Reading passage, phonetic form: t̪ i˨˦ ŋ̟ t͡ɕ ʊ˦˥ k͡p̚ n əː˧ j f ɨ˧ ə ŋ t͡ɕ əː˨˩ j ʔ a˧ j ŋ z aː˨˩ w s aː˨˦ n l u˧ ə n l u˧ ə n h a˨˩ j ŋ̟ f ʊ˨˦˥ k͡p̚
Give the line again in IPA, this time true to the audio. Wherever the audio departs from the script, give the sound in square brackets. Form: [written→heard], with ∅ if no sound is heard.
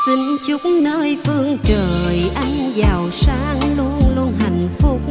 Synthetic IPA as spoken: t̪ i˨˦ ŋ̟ t͡ɕ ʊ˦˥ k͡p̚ n əː˧ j f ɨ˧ ə ŋ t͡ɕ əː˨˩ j ʔ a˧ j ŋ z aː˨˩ w s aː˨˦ [n→ŋ] l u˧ ə n l u˧ ə n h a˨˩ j ŋ̟ f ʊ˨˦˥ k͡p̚